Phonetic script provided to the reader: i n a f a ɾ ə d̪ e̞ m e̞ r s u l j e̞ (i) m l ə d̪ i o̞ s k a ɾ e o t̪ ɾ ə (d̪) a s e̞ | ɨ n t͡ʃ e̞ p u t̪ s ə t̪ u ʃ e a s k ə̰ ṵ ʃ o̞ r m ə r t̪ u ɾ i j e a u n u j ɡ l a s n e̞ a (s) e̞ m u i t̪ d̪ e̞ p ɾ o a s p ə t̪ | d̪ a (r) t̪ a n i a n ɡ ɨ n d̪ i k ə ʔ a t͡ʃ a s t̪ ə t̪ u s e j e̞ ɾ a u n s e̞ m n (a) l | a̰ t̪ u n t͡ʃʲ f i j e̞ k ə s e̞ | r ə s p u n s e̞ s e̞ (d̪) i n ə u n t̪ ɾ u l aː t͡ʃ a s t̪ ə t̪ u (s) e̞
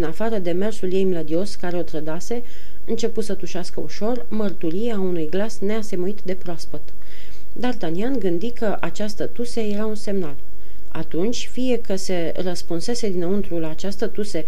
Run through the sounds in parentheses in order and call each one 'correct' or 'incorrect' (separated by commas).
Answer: incorrect, correct, correct, correct, correct, correct, correct